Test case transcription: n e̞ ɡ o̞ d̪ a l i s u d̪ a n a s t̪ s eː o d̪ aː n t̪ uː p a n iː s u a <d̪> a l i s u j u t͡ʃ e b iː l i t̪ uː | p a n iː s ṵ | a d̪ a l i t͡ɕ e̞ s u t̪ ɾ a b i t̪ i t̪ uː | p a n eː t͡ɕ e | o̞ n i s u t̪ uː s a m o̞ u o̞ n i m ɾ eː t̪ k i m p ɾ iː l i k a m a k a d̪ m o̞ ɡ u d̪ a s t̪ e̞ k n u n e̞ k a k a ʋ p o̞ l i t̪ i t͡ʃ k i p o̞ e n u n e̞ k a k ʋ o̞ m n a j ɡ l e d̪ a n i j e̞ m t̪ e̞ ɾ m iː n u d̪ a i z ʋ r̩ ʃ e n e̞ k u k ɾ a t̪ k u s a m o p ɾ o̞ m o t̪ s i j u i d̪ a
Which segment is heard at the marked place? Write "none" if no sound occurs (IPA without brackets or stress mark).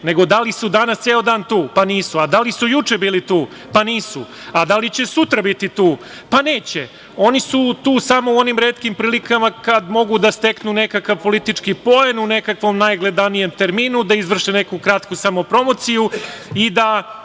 d̪